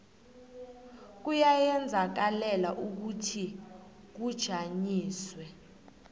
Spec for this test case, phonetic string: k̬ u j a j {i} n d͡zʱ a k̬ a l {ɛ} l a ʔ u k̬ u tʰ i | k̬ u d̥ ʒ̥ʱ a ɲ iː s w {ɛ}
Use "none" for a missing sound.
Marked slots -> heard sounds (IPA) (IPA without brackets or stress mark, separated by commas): ɛ, ɛ, ɛ